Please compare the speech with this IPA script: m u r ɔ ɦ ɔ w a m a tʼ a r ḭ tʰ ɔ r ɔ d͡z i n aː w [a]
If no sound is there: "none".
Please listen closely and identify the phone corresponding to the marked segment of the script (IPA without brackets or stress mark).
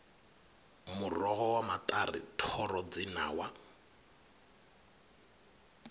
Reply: a